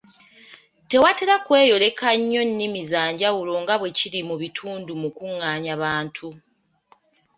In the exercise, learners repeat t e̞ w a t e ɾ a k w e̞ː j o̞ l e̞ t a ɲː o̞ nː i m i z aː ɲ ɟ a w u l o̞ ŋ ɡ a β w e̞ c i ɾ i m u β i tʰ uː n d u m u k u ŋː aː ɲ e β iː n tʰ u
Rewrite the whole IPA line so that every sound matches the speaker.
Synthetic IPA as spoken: t e̞ w a t e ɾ a k w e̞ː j o̞ l e̞ k a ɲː o̞ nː i m i z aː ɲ ɟ a w u l o̞ ŋ ɡ a β w e̞ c i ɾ i m u β i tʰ uː n d u m u k u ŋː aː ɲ a β aː n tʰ u